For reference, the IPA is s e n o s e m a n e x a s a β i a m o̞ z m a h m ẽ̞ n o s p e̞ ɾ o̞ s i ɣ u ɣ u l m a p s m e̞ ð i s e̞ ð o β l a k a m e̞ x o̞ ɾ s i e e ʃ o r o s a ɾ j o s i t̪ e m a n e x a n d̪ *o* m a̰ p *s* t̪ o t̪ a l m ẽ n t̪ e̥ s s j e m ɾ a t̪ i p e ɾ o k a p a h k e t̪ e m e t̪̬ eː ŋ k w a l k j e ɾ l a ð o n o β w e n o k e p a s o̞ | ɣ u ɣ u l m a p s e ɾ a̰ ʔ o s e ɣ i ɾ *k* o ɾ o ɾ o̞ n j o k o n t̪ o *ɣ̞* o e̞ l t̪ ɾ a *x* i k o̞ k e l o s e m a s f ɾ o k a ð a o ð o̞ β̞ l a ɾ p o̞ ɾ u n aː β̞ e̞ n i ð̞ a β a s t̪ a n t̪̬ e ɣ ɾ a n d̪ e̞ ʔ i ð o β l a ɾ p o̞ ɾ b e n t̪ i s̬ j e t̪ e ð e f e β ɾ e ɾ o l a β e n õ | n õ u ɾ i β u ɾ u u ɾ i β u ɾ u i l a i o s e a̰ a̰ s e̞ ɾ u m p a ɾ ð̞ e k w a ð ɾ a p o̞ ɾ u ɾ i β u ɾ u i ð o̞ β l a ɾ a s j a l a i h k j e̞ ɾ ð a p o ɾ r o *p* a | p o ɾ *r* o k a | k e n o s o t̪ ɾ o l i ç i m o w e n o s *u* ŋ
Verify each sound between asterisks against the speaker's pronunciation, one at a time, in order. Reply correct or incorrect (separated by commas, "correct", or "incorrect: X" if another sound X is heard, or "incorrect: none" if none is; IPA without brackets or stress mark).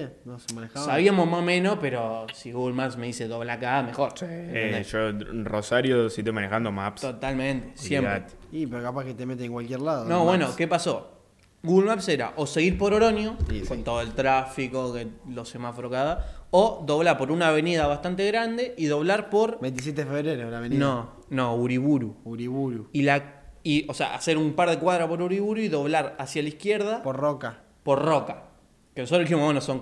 correct, correct, incorrect: p, incorrect: ð̞, incorrect: f, incorrect: k, correct, incorrect: o